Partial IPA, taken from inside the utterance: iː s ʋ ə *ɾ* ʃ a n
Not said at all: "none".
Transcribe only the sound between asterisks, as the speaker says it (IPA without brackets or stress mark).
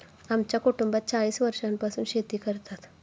ɾ